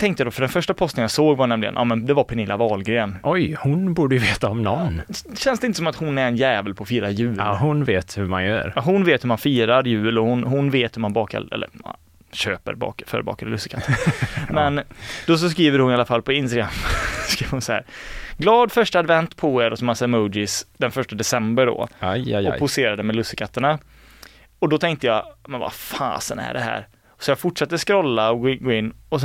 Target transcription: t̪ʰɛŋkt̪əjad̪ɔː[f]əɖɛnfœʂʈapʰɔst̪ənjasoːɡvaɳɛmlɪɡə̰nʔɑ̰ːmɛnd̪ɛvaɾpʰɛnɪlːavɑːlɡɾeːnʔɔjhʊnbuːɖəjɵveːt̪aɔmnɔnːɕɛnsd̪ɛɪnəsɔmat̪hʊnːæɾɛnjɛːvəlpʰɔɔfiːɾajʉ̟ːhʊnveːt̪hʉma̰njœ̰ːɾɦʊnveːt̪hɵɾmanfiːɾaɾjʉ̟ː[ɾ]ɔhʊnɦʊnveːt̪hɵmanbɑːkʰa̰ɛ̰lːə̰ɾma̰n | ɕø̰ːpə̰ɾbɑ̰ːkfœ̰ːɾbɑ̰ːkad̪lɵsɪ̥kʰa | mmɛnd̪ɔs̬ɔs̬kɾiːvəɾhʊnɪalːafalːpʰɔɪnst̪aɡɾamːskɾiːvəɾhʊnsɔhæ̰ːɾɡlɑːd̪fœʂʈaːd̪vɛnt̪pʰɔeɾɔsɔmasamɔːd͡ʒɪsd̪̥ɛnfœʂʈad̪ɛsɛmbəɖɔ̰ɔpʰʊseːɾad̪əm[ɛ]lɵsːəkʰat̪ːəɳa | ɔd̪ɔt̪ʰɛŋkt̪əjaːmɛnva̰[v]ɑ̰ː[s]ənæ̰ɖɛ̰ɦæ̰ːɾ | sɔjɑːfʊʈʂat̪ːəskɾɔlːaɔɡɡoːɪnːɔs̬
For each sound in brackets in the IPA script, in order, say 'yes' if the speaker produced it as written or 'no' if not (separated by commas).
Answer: yes, no, yes, no, yes